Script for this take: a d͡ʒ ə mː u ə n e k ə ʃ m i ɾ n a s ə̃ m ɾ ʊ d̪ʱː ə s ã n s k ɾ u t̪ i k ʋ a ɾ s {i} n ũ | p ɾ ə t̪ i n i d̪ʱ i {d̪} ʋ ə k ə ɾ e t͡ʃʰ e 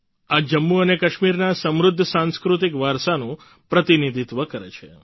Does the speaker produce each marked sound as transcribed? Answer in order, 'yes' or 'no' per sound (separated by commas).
no, no